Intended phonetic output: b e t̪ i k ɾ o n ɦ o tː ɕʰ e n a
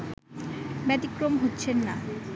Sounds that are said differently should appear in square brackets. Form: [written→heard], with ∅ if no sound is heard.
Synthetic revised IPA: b [e→ɛ] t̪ i k ɾ o [n→m] ɦ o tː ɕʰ e [n→nː] a